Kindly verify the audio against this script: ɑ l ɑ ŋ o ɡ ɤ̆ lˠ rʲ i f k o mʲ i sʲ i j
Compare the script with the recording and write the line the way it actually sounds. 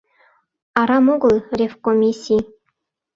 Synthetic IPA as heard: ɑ ɾ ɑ m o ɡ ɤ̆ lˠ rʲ e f k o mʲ i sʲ i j